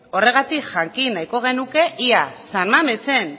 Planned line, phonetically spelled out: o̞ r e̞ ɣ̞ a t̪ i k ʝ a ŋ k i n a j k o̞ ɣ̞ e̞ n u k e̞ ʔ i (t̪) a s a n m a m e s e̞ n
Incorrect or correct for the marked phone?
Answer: incorrect: none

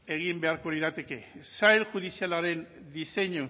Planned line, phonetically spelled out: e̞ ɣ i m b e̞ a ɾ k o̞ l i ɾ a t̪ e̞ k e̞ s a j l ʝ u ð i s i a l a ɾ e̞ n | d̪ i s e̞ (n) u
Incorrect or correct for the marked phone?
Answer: incorrect: ɲ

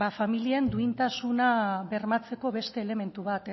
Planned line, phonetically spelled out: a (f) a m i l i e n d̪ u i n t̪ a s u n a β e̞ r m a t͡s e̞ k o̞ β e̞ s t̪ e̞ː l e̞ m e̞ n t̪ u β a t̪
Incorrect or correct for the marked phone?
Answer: correct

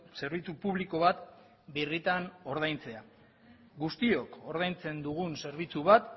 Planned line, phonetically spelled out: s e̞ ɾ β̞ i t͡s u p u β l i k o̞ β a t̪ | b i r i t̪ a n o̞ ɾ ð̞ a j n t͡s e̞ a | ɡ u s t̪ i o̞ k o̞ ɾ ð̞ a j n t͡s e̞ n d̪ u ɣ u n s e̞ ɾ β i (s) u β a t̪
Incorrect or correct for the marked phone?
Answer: incorrect: t͡s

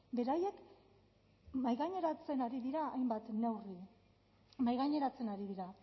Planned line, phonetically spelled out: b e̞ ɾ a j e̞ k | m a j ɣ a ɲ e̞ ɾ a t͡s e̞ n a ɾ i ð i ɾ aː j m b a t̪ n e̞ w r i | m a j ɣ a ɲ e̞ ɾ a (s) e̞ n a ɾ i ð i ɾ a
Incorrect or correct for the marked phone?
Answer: incorrect: t͡s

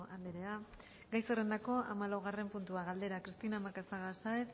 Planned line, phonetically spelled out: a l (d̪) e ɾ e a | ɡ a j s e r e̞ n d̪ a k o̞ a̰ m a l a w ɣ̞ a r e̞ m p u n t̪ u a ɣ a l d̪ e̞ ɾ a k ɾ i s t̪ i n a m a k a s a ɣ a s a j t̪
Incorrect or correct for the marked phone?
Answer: correct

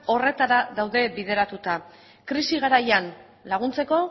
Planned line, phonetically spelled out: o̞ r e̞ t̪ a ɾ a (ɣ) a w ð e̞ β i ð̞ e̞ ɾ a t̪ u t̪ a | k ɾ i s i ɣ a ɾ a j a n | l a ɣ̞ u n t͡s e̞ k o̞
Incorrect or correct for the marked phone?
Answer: incorrect: ð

